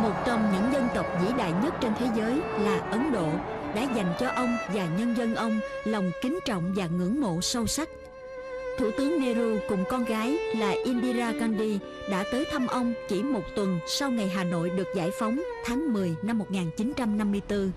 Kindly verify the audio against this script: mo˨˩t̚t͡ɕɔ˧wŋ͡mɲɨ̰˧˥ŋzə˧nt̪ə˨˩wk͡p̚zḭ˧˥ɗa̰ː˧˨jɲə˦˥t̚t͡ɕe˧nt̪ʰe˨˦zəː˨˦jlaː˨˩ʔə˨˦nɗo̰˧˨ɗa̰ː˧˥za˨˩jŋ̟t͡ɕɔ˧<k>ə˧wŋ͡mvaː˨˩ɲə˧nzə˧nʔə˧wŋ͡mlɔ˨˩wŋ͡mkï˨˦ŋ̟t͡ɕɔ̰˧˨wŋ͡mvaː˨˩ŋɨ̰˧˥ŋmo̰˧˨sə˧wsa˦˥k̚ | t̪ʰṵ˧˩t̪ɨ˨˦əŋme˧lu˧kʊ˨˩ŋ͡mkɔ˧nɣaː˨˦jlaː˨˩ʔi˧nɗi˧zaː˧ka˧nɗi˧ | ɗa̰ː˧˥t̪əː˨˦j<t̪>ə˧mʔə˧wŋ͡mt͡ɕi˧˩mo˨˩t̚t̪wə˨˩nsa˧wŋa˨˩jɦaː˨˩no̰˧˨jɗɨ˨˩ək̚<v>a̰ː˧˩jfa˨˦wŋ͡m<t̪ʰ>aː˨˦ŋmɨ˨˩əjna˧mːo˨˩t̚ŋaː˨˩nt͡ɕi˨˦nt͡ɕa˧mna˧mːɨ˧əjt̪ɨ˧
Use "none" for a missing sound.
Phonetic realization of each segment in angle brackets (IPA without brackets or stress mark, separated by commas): ʔ, t̪ʰ, z, t̪ʰ